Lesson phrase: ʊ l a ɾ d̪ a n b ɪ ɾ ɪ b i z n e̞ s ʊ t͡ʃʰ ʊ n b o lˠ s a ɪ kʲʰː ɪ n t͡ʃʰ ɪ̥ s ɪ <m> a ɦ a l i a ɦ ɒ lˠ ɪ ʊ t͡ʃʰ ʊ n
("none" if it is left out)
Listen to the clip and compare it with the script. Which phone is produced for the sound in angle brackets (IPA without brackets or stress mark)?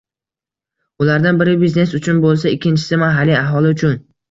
m